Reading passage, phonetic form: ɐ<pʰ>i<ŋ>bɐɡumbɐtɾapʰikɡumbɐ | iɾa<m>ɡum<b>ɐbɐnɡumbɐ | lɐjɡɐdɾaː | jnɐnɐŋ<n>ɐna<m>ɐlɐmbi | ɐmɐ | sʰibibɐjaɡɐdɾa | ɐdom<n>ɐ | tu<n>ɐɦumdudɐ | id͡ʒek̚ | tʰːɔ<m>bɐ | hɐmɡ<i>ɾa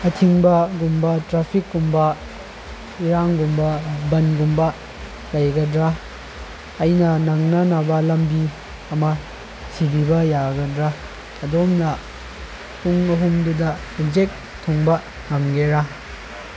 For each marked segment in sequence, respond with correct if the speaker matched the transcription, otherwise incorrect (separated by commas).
incorrect, correct, incorrect, correct, correct, incorrect, correct, incorrect, incorrect, incorrect